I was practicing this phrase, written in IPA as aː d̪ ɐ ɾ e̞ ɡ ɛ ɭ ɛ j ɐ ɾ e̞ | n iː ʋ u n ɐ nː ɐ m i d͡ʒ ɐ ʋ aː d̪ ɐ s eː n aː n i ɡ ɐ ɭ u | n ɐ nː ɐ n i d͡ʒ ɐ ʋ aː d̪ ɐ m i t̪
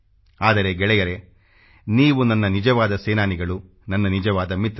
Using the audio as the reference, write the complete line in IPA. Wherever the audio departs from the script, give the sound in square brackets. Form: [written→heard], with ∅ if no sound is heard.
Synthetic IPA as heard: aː d̪ ɐ ɾ e̞ ɡ ɛ ɭ ɛ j ɐ ɾ e̞ | n iː ʋ u n ɐ nː ɐ [m→n] i d͡ʒ ɐ ʋ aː d̪ ɐ s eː n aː n i ɡ ɐ ɭ u | n ɐ nː ɐ n i d͡ʒ ɐ ʋ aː d̪ ɐ m i t̪

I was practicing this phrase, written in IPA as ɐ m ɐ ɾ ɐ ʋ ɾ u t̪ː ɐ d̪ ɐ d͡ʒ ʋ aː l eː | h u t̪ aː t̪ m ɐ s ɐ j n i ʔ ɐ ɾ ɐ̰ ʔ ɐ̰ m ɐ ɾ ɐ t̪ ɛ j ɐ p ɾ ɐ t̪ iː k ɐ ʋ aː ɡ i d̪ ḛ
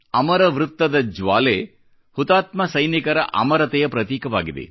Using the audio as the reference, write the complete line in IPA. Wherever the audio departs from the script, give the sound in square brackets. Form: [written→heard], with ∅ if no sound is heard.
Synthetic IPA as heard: ɐ m ɐ ɾ ɐ ʋ ɾ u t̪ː ɐ d̪ ɐ d͡ʒ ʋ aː l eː | h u t̪ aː t̪ m ɐ s ɐ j n i [ʔ→k] ɐ ɾ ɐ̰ ʔ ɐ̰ m ɐ ɾ ɐ t̪ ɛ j ɐ p ɾ ɐ t̪ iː k ɐ ʋ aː ɡ i d̪ ḛ

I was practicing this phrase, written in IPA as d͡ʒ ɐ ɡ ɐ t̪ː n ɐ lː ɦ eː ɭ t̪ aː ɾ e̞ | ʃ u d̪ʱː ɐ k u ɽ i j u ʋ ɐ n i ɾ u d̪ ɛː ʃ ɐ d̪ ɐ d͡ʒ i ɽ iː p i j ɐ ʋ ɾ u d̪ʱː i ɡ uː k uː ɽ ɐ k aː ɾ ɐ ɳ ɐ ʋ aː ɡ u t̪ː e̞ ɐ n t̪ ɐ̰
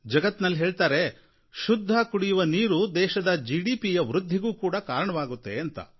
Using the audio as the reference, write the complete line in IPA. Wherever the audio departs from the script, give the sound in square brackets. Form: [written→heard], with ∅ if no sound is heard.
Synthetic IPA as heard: d͡ʒ ɐ ɡ ɐ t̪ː n ɐ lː ɦ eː ɭ t̪ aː ɾ e̞ | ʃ u d̪ʱː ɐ k u ɽ i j u ʋ ɐ n [i→iː] ɾ u d̪ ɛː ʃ ɐ d̪ ɐ d͡ʒ i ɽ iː p i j ɐ ʋ ɾ u d̪ʱː i ɡ uː k uː ɽ ɐ k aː ɾ ɐ ɳ ɐ ʋ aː ɡ u t̪ː e̞ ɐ n t̪ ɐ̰

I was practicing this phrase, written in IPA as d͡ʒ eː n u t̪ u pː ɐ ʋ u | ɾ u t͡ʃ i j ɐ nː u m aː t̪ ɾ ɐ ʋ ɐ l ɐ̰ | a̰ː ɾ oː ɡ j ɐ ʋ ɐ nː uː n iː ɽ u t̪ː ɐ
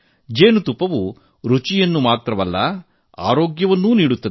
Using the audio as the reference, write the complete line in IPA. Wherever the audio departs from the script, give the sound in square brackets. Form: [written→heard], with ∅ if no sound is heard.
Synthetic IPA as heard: d͡ʒ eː n u t̪ u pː ɐ ʋ u | ɾ u t͡ʃ i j ɐ nː u m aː t̪ ɾ ɐ ʋ ɐ [l→lː] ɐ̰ | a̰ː ɾ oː ɡ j ɐ ʋ ɐ nː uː n iː ɽ u t̪ː ɐ

